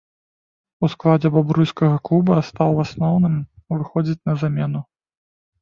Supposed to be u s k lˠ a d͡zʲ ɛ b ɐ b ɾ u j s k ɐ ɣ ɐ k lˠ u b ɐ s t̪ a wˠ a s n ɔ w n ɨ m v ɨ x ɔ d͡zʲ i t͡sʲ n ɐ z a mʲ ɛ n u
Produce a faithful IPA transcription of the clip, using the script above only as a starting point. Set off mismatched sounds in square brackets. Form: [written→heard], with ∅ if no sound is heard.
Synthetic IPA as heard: u s k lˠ a d͡zʲ ɛ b [ɐ→a] b ɾ u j s k ɐ ɣ ɐ k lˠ u b ɐ s t̪ a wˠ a s n ɔ w n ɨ m v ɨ x ɔ d͡zʲ i t͡sʲ n ɐ z a mʲ ɛ n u